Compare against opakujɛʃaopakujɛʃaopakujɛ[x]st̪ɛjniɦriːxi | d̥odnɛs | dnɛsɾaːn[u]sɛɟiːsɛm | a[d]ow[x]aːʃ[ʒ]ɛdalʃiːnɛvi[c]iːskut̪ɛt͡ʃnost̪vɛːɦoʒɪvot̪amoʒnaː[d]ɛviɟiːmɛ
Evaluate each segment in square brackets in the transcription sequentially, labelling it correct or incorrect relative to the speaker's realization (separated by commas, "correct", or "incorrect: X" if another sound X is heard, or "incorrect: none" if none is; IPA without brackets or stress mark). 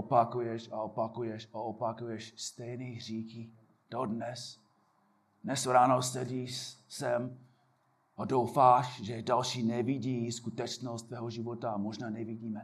incorrect: ʃ, incorrect: o, correct, incorrect: f, correct, incorrect: ɟ, incorrect: n